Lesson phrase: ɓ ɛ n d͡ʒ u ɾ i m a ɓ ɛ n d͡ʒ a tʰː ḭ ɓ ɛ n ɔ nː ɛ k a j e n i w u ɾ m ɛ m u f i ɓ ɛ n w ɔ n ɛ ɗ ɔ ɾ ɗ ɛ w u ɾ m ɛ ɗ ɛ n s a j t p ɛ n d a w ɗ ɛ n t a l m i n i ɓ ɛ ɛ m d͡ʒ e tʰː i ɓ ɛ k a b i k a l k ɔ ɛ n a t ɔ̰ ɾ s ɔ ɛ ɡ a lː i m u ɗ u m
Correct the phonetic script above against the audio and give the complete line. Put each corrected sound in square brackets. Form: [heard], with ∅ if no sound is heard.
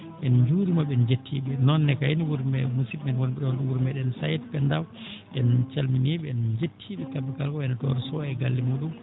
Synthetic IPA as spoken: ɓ ɛ n d͡ʒ u ɾ i m a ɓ ɛ n d͡ʒ [e] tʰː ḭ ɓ ɛ n ɔ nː ɛ k a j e n i w u ɾ m ɛ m u [s] i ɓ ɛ n w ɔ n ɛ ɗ ɔ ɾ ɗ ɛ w u ɾ m ɛ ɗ ɛ n s a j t p ɛ n d a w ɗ ɛ n [t͡ʃ] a l m i n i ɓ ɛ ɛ [n] d͡ʒ e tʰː i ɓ ɛ k a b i k a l k ɔ ɛ n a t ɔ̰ ɾ s ɔ ɛ ɡ a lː i m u ɗ u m